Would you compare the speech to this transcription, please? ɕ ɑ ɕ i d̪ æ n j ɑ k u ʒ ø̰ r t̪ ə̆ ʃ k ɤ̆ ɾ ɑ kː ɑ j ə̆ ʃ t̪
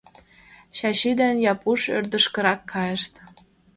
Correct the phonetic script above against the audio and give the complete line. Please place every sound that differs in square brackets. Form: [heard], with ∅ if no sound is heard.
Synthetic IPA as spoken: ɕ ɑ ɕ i d̪ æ n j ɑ [p] u [ʃ] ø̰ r [d̪] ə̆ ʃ k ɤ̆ ɾ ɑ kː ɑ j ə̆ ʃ t̪